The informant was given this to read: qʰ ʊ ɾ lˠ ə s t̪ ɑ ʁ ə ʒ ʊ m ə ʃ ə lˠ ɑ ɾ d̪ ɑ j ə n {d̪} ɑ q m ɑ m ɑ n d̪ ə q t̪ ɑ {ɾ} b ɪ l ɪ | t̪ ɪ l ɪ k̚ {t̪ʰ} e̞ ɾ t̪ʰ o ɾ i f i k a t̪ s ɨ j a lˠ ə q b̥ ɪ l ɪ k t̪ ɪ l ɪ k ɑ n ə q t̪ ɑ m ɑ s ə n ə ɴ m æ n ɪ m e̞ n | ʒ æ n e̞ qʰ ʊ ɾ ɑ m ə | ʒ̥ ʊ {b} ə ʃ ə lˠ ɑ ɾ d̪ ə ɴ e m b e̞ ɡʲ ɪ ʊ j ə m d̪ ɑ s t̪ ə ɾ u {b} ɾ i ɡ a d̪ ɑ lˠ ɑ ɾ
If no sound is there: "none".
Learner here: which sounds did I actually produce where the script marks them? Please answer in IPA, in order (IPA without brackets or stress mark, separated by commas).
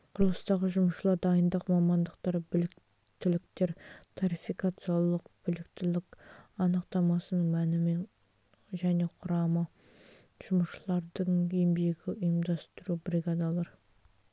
d̪, ɾ, t̪, m, b